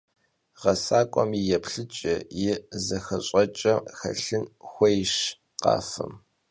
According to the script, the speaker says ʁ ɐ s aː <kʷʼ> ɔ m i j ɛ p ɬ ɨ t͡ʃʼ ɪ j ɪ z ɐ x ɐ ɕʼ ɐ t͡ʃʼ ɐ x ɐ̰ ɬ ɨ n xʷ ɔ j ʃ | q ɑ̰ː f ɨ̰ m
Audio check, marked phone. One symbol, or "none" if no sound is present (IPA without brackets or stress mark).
kʷʼ